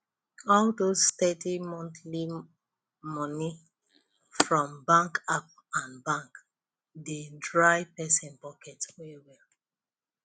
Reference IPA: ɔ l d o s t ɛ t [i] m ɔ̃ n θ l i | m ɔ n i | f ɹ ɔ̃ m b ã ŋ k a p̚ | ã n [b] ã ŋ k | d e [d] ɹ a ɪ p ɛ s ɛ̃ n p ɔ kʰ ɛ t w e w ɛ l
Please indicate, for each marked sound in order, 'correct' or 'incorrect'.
correct, correct, correct

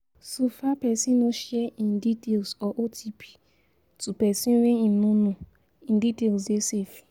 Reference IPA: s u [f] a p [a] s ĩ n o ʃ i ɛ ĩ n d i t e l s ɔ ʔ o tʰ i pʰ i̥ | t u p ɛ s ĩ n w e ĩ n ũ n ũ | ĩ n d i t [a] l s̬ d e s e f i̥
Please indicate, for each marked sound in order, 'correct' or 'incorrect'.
correct, incorrect, incorrect

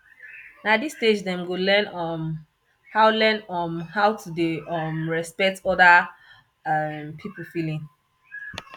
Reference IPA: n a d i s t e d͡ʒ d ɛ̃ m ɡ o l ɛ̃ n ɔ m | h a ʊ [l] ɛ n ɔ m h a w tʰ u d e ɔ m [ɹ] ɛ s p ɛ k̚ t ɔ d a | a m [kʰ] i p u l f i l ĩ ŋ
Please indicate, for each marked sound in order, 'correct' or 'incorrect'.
correct, correct, incorrect

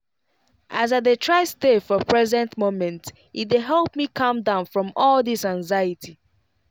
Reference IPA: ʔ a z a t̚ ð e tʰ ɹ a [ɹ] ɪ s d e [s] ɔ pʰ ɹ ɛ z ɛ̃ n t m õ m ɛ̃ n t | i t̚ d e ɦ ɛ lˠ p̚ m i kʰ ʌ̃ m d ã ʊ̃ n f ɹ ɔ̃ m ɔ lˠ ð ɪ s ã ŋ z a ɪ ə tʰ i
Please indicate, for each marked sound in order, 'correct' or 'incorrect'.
incorrect, incorrect

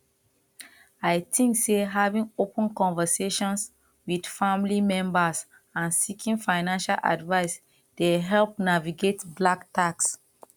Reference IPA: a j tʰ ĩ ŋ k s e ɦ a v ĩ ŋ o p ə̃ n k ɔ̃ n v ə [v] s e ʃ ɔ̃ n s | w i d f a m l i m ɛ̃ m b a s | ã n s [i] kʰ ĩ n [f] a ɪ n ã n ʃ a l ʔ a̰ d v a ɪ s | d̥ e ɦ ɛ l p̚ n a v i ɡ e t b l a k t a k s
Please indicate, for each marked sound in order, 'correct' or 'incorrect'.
incorrect, correct, correct

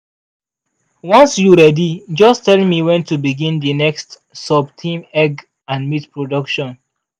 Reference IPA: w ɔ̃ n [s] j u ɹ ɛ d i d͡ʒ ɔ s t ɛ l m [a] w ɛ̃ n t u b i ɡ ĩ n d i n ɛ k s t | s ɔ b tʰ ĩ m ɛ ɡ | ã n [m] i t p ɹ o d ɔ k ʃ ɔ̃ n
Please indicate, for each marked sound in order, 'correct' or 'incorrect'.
correct, incorrect, correct

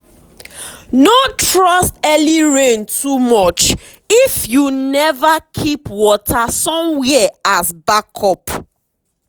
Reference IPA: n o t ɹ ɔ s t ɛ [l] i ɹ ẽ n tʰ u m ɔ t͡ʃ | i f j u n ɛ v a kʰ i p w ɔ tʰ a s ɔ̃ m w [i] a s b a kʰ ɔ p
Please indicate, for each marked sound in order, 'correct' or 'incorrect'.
correct, incorrect

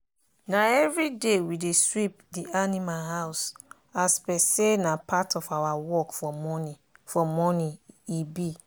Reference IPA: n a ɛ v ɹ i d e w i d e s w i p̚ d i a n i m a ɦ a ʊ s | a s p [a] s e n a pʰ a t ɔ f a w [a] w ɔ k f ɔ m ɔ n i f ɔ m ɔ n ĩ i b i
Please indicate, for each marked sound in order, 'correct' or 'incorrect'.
incorrect, correct

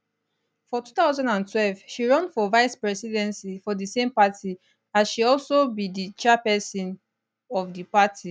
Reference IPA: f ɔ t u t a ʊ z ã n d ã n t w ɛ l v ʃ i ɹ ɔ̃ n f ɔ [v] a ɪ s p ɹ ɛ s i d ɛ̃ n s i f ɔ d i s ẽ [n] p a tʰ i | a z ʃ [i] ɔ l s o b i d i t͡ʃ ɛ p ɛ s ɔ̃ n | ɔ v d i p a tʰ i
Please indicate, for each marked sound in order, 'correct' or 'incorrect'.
correct, incorrect, correct

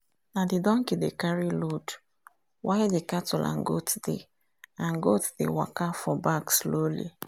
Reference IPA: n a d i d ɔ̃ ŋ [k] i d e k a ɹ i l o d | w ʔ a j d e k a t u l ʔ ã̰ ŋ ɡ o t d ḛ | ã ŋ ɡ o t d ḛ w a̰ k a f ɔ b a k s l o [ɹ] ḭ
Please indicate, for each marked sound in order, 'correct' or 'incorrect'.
correct, incorrect

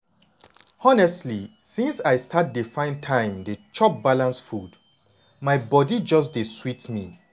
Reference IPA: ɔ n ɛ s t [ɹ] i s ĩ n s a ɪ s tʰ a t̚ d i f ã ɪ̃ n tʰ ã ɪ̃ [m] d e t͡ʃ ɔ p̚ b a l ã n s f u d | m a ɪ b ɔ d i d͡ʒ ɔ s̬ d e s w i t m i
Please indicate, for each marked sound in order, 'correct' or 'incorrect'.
incorrect, correct

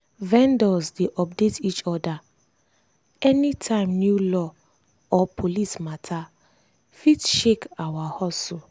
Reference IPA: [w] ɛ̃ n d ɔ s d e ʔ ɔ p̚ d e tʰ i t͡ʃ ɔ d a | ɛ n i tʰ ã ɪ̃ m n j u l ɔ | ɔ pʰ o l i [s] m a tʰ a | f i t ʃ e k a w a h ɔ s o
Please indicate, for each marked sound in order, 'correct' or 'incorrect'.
incorrect, correct

